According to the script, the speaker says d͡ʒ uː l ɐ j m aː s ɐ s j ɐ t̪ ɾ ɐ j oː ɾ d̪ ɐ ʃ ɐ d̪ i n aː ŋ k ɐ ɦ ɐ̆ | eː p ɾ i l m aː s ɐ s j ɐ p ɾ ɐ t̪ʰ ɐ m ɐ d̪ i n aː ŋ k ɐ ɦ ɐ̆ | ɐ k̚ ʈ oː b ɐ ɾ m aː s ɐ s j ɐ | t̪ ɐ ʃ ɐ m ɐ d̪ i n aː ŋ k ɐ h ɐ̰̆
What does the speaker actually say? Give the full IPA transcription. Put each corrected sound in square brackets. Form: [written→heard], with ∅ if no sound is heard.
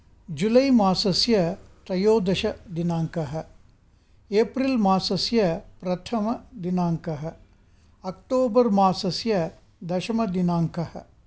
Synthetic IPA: d͡ʒ [uː→u] l ɐ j m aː s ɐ s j ɐ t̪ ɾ ɐ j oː [ɾ→∅] d̪ ɐ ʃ ɐ d̪ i n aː ŋ k ɐ ɦ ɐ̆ | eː p ɾ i l m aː s ɐ s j ɐ p ɾ ɐ t̪ʰ ɐ m ɐ d̪ i n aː ŋ k ɐ ɦ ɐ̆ | ɐ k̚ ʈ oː b ɐ ɾ m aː s ɐ s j ɐ | [t̪→d̪] ɐ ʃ ɐ m ɐ d̪ i n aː ŋ k ɐ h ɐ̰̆